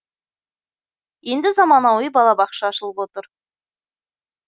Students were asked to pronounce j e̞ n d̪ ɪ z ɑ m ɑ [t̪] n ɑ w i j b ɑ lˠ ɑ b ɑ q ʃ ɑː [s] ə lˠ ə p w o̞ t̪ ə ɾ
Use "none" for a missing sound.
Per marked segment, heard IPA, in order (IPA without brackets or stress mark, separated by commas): none, ʃ